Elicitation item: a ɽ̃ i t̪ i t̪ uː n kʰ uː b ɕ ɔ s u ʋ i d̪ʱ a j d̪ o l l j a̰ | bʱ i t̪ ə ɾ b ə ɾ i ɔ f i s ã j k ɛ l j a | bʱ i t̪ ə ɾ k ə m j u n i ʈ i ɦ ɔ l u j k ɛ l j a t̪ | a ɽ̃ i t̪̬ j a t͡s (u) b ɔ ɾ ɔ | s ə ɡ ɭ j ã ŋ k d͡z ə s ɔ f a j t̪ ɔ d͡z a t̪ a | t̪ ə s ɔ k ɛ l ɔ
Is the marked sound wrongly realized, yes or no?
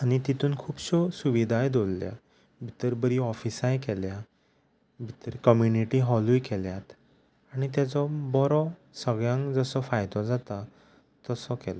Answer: yes